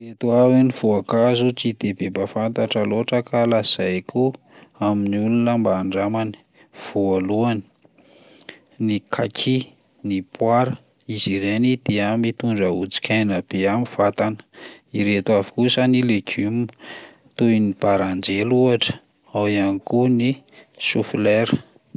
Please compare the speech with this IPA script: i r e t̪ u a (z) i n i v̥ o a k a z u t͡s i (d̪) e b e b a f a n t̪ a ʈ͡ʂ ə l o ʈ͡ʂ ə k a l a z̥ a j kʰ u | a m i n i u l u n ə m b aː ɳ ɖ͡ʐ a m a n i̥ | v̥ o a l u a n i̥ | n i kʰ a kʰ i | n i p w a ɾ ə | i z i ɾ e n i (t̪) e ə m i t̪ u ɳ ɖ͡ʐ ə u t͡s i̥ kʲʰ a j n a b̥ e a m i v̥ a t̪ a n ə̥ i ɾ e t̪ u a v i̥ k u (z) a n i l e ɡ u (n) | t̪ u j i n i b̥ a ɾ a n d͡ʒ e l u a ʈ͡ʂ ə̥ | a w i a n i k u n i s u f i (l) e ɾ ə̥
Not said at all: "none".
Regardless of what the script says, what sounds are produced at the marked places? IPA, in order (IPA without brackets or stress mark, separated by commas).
v, d̪, d̪, s, m, l